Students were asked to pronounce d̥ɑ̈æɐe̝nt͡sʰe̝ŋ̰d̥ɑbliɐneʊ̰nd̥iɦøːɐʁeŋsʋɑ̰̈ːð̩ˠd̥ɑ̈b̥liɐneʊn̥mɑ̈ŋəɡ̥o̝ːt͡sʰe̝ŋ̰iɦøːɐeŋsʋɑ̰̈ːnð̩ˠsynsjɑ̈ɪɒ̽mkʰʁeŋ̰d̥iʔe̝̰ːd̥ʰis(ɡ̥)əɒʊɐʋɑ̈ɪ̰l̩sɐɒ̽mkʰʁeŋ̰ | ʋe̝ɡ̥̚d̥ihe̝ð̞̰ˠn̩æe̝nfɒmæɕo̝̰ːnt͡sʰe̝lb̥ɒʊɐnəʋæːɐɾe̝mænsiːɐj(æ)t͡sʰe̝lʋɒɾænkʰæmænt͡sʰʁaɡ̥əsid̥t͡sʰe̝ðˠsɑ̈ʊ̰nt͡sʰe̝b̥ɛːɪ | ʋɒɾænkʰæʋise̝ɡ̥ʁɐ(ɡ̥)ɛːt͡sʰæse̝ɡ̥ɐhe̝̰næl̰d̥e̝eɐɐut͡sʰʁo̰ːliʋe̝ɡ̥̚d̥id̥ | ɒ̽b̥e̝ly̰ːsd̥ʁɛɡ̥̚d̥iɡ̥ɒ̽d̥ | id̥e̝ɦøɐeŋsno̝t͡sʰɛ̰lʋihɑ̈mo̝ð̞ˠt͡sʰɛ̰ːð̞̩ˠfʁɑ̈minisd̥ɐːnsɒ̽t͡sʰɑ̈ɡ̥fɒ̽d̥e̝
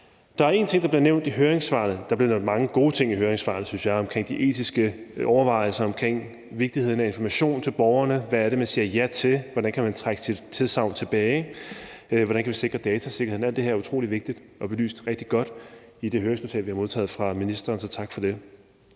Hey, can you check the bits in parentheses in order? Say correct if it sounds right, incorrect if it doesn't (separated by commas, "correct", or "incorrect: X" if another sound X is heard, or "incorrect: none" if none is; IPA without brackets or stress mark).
correct, correct, incorrect: d̥